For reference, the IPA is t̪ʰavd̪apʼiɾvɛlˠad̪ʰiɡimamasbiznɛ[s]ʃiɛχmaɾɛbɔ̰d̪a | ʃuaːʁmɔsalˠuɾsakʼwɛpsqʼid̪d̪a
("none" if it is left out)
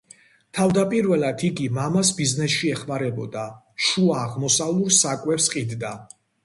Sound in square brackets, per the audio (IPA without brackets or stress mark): s